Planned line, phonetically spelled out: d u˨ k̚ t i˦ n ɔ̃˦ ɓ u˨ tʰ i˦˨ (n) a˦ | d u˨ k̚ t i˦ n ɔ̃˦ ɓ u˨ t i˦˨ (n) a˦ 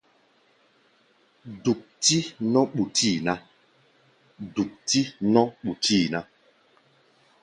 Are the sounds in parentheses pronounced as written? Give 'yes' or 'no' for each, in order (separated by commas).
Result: yes, yes